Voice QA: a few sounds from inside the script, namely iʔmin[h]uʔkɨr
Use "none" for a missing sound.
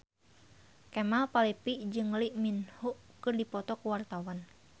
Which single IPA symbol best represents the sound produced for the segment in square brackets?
h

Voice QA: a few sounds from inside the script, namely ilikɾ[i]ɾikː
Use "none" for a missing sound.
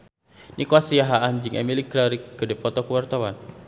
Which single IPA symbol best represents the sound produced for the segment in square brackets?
a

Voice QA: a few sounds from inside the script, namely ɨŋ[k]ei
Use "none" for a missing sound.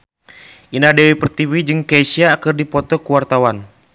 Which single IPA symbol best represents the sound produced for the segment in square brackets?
k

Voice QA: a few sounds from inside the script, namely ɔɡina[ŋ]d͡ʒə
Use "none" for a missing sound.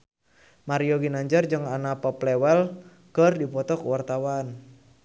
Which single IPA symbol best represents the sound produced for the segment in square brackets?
ɲ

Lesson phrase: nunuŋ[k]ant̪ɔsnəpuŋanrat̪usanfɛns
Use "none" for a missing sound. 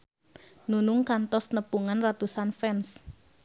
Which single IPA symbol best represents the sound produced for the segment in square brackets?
k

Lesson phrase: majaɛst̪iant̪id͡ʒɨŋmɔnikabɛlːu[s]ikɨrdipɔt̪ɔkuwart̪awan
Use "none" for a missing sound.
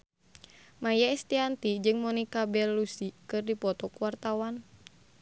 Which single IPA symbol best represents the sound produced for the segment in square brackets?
s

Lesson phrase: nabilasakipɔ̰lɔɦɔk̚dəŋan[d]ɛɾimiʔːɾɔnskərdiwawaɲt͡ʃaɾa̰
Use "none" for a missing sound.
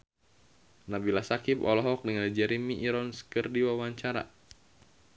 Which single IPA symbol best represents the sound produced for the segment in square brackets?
d͡ʒ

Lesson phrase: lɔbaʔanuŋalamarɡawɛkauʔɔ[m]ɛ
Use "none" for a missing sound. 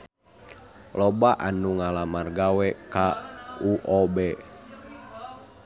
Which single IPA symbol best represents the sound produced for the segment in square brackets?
b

